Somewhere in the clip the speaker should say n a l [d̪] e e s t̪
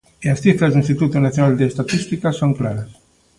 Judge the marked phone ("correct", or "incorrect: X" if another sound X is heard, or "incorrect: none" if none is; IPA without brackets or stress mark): correct